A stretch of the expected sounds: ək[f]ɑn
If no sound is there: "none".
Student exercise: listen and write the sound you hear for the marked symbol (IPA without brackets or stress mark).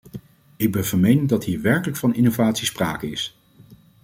f